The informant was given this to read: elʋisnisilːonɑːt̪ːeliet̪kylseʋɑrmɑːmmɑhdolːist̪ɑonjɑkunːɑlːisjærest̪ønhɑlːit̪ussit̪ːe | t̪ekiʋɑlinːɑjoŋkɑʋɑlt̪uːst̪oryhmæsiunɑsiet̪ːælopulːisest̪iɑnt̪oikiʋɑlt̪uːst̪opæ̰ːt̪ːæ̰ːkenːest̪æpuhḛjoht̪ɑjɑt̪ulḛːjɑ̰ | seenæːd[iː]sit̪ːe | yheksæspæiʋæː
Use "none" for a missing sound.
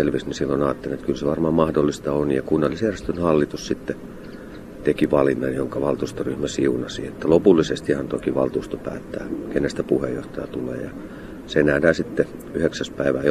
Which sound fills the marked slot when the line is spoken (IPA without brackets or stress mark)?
æː